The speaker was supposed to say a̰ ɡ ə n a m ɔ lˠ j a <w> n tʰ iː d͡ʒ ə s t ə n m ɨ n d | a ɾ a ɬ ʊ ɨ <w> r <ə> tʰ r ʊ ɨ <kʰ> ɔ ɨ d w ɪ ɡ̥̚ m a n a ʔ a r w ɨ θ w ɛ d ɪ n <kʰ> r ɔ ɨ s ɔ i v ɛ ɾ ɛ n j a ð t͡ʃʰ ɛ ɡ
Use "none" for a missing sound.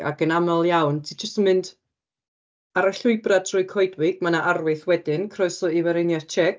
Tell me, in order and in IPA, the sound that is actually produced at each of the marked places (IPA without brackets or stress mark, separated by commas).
w, b, a, kʰ, kʰ